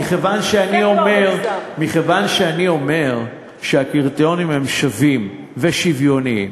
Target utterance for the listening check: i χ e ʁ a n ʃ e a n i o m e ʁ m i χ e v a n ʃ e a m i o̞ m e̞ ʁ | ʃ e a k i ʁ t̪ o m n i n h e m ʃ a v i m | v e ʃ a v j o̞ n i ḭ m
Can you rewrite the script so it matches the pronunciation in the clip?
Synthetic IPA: i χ e v a n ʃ e a n i o m e ʁ m i χ e v a n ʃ e a n i o̞ m e̞ ʁ | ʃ e a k i ʁ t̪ o n i m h e m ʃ a v i m | v e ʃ i v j o̞ n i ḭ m

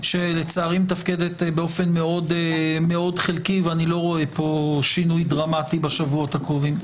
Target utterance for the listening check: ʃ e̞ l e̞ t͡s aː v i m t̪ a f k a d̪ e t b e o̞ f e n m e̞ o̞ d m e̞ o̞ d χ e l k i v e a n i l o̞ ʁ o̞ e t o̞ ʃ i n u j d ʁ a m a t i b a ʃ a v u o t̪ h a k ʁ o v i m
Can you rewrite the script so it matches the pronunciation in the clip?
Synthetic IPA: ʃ e̞ l e̞ t͡s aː ʁ i m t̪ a f k e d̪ e t b e o̞ f e n m e̞ o̞ d m e̞ o̞ d χ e l k i v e a n i l o̞ ʁ o̞ e p o̞ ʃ i n u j d ʁ a m a t i b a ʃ a v u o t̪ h a k ʁ o v i m

